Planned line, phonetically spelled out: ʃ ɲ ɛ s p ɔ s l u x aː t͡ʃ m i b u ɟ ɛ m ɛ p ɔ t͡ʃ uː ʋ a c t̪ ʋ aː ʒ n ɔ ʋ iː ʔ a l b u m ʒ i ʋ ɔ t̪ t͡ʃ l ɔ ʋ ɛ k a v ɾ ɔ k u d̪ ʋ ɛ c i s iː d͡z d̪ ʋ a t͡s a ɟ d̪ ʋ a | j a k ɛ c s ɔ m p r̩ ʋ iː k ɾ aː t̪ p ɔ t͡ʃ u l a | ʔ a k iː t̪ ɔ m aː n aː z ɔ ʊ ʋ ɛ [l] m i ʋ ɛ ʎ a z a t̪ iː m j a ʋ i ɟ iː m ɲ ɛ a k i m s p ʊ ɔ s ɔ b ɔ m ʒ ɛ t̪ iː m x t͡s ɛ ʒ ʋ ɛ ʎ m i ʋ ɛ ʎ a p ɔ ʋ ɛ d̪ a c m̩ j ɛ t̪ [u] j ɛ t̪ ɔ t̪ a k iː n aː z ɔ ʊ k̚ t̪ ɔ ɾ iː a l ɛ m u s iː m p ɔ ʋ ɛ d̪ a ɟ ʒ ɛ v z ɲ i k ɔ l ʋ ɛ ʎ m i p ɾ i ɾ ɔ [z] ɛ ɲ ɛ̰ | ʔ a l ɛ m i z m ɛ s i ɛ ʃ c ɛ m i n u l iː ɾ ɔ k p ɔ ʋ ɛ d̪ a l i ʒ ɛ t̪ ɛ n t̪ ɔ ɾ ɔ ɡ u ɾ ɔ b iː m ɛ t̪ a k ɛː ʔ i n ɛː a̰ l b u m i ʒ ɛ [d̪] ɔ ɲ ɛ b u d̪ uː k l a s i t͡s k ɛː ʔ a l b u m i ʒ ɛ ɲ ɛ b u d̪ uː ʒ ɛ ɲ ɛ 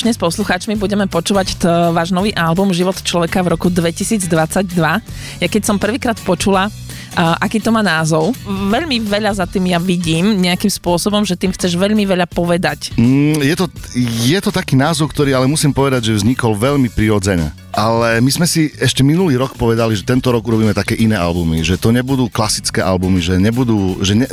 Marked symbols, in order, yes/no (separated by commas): no, no, no, no